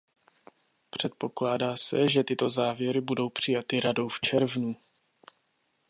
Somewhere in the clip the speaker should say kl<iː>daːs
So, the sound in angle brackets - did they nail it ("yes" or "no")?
no